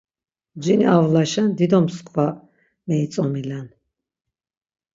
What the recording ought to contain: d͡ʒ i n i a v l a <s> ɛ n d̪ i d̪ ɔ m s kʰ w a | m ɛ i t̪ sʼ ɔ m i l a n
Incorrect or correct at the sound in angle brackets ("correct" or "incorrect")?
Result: incorrect